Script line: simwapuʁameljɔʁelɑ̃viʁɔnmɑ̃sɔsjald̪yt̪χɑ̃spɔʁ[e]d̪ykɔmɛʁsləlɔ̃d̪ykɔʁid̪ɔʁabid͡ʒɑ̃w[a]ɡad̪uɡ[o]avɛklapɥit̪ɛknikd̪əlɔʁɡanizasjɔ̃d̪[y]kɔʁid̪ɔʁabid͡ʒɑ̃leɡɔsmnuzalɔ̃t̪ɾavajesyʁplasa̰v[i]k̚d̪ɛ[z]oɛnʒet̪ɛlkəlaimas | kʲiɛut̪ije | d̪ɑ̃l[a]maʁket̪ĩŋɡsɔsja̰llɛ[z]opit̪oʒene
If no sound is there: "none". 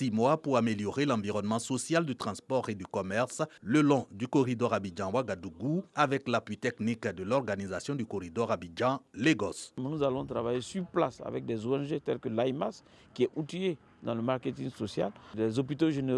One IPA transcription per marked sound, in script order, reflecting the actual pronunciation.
e, a, u, y, ɛ, z, ə, z

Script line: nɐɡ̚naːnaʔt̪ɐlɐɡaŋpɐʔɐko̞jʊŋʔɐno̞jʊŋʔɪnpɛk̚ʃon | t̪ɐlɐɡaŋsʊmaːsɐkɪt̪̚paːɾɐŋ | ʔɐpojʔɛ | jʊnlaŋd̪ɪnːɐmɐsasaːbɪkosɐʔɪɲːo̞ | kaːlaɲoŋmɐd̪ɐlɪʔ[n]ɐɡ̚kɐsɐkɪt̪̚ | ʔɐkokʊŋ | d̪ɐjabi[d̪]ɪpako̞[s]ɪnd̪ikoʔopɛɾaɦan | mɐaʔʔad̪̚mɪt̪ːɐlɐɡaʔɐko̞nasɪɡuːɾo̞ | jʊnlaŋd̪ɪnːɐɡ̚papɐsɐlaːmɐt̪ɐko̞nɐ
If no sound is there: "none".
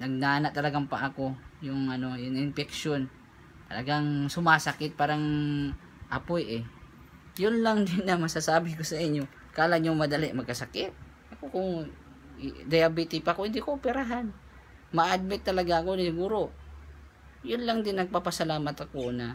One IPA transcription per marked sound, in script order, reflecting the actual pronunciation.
m, t̪, h

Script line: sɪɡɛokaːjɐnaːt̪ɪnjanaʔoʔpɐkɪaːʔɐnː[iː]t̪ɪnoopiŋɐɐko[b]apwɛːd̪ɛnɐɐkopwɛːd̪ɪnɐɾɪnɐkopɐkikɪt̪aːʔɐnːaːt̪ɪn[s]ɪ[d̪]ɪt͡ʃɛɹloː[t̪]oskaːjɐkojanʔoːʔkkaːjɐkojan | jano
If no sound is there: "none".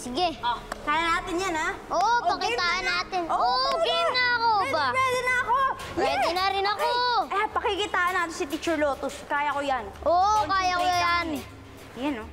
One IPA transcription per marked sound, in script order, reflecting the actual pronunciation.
aː, b, s, t̪, t̪

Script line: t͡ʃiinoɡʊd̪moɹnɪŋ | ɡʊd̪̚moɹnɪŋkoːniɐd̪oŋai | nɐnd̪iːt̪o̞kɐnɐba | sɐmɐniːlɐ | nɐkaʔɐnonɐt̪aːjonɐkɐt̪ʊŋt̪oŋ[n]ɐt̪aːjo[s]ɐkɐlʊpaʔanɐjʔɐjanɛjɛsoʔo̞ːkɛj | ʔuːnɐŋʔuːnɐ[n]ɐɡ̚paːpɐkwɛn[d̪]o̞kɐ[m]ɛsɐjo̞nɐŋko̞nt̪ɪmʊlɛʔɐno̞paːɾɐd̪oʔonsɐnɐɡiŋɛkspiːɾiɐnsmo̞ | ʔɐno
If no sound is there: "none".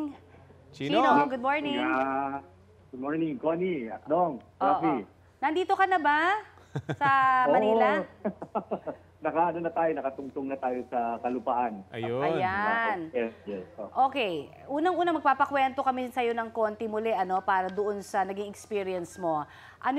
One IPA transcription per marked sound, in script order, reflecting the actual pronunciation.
n, s, m, t̪, m

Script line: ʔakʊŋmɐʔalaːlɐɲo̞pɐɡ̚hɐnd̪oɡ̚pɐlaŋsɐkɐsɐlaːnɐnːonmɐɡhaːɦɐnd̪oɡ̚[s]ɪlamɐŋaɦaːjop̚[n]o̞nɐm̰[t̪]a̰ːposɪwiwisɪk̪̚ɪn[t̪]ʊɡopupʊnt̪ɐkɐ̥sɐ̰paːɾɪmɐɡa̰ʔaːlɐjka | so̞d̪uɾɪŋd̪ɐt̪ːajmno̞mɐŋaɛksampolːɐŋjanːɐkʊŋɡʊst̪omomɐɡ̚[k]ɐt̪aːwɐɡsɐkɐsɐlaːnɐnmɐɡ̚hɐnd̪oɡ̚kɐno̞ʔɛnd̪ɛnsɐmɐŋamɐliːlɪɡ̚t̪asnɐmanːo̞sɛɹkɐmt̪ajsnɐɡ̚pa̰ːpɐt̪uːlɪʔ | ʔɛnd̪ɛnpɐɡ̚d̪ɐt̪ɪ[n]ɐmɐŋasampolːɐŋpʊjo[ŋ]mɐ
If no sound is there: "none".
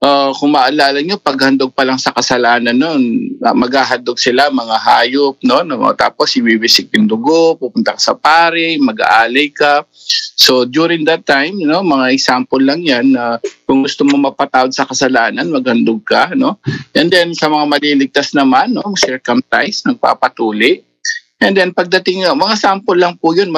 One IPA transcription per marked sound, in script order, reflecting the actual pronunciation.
s, n, t̪, d̪, p, ŋ, n

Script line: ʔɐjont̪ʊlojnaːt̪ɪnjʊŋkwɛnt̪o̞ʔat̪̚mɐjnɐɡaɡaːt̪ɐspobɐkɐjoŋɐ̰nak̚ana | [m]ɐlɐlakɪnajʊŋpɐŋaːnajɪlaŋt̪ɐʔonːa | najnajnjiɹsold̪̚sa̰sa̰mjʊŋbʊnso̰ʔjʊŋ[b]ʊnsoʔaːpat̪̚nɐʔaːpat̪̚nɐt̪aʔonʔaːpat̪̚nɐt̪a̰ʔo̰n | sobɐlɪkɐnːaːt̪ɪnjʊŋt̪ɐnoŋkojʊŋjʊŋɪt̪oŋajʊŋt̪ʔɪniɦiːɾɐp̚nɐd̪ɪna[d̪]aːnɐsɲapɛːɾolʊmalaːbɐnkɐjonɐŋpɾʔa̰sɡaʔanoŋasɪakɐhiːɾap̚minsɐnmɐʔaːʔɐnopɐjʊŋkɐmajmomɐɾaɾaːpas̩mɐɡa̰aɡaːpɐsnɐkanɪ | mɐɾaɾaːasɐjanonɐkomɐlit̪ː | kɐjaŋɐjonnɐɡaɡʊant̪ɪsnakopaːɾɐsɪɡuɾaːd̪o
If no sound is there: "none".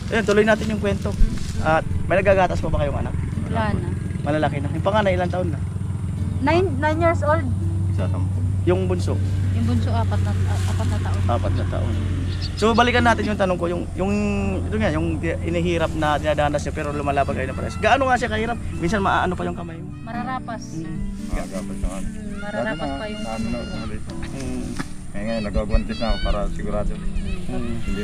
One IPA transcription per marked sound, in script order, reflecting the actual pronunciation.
m, b, d̪

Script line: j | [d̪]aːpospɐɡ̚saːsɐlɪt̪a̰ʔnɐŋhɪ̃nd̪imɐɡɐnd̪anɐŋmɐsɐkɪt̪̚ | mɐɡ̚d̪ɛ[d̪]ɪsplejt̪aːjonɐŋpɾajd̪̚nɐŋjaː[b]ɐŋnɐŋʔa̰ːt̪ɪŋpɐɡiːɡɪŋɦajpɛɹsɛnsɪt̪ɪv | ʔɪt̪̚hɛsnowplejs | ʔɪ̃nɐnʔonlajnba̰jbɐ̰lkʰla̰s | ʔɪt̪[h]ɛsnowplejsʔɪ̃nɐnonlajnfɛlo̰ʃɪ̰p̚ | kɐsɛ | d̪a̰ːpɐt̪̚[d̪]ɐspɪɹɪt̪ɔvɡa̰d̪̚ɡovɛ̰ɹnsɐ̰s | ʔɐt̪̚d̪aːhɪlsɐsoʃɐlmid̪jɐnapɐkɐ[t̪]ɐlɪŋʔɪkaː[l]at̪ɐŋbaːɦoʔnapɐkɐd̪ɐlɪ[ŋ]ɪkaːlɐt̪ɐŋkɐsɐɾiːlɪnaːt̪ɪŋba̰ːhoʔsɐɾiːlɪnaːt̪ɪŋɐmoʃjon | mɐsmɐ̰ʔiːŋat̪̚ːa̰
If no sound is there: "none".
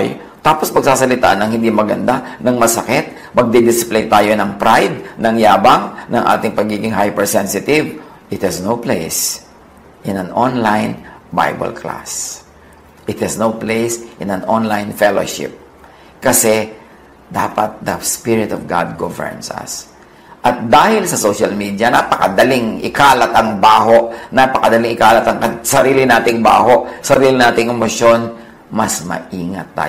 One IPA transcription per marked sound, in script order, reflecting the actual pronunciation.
t̪, d̪, b, h, d̪, d̪, l, ŋ

